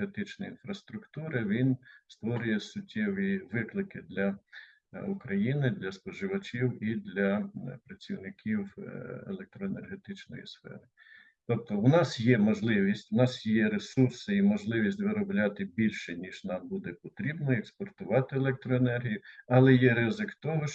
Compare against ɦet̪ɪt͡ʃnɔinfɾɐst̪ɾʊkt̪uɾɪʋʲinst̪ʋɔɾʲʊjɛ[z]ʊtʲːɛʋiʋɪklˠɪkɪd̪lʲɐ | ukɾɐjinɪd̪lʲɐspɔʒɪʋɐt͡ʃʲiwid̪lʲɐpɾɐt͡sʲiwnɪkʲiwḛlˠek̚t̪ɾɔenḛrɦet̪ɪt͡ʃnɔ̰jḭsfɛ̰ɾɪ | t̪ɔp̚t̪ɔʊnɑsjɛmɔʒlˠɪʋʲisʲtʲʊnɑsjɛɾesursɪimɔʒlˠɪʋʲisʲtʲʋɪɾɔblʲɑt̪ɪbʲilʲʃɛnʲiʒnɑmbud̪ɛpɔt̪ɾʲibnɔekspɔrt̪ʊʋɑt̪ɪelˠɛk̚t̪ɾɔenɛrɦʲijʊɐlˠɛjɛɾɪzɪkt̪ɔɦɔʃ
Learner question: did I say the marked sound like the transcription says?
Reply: no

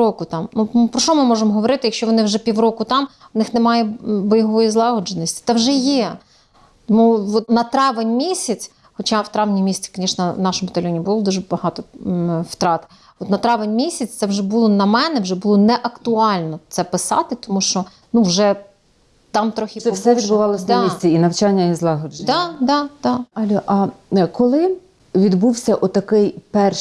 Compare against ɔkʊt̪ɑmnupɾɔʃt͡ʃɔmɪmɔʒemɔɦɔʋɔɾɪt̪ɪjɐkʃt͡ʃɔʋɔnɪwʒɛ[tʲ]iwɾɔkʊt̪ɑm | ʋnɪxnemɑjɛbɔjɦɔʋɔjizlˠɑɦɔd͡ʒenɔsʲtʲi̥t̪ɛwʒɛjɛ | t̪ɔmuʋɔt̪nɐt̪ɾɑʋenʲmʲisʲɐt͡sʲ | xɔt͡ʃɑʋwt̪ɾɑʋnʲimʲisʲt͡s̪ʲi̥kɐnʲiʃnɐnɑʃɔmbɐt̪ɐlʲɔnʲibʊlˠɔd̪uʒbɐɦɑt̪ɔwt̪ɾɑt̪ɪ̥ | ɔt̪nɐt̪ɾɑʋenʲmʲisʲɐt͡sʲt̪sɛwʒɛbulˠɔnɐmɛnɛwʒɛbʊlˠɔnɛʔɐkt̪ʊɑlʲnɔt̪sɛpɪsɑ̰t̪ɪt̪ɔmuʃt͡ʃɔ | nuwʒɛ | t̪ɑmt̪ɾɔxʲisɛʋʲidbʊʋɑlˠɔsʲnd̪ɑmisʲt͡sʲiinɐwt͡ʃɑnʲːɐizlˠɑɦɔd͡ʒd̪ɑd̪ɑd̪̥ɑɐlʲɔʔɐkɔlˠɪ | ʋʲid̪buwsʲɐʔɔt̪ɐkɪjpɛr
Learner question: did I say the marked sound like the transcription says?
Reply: no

